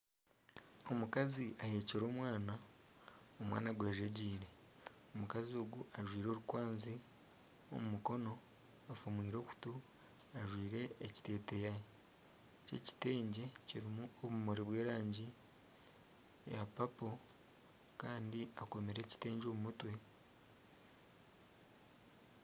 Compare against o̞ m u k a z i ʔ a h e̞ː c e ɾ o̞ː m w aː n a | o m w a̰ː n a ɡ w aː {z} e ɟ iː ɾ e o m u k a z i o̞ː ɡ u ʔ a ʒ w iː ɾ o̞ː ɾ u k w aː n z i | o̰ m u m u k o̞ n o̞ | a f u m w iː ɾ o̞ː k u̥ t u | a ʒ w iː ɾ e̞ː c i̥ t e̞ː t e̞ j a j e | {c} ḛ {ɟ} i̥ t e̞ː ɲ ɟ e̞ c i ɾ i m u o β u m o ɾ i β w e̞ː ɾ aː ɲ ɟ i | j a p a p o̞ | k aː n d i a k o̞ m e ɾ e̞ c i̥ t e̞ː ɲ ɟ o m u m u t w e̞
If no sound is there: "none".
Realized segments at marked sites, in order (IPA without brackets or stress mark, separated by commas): ʒ, c, c